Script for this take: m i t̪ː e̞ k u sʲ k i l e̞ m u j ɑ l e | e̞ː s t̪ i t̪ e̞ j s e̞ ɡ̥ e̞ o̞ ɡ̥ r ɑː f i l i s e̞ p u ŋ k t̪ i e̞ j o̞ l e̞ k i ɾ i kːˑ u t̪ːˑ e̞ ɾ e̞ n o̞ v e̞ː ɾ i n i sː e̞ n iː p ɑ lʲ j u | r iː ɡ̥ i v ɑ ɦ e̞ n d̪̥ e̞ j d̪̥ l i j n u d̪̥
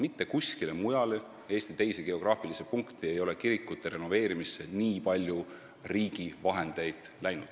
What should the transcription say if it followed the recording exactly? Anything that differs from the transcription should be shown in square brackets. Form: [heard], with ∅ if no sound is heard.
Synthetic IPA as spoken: m i t̪ː e̞ k u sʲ k i l e̞ m u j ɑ l e | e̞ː s t̪ i t̪ e̞ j s e̞ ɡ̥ e̞ o̞ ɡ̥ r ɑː f i l i s e̞ p u ŋ k t̪ i e̞ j o̞ l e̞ k i ɾ i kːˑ u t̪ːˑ e̞ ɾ e̞ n o̞ v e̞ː ɾ i [m] i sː e̞ n iː p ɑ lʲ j u | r iː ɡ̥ i v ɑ ɦ e̞ n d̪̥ e̞ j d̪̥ l [æ] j n u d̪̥